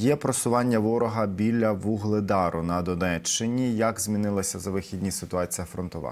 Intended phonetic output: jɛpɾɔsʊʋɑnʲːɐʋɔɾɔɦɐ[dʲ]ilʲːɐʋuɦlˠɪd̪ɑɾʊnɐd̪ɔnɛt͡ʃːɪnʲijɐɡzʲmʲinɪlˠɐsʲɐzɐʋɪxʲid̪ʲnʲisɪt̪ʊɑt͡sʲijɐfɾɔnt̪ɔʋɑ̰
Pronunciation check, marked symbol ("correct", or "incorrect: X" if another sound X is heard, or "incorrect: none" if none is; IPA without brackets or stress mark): incorrect: bʲ